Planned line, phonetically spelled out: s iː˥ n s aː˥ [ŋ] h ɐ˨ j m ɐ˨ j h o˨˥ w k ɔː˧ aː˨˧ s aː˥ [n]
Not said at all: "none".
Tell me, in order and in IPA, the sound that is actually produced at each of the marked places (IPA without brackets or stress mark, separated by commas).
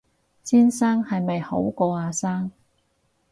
ŋ, ŋ